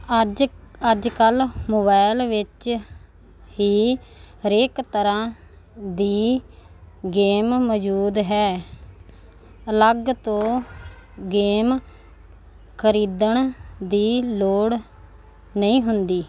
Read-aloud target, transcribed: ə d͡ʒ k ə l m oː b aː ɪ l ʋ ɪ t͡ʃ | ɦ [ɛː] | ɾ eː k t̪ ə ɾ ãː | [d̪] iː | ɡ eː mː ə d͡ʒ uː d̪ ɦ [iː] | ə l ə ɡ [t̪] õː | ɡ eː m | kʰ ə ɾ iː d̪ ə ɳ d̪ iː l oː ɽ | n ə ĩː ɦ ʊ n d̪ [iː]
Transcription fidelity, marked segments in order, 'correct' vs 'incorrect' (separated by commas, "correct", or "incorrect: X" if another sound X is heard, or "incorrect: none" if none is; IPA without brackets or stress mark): incorrect: iː, correct, incorrect: ɛː, correct, correct